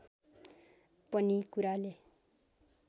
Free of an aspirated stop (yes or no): yes